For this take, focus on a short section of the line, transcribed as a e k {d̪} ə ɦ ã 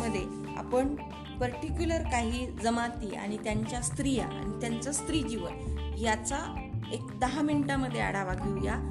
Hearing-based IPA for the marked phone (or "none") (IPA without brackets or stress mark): d̪